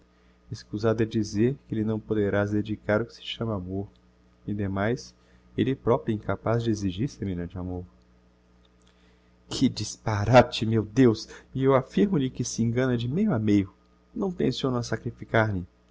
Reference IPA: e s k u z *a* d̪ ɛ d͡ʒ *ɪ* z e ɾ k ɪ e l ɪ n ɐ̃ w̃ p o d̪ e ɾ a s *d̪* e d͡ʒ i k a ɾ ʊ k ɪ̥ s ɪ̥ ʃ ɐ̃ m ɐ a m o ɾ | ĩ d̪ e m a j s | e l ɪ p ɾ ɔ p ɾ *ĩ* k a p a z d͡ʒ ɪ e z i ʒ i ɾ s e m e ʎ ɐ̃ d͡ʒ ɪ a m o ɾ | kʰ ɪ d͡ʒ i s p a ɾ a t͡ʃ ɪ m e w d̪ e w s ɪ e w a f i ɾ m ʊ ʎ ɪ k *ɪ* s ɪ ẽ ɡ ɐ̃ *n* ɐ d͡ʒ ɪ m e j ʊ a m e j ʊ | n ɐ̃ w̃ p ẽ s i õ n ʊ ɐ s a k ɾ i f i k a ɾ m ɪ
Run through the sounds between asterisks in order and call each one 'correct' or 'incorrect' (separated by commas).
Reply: correct, incorrect, correct, correct, correct, correct